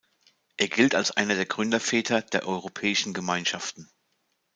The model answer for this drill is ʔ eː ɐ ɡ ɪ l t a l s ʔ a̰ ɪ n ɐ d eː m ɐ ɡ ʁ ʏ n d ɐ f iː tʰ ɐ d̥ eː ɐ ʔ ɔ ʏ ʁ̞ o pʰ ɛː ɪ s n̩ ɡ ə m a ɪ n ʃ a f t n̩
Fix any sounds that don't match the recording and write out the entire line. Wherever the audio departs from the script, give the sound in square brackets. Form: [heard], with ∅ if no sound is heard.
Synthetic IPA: ʔ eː ɐ ɡ ɪ l t a l s ʔ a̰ ɪ n ɐ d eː [∅] ɐ ɡ ʁ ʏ n d ɐ f [ɛː] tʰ ɐ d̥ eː ɐ ʔ ɔ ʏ ʁ̞ o pʰ ɛː ɪ [ʃ] n̩ ɡ ə m a ɪ n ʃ a f t n̩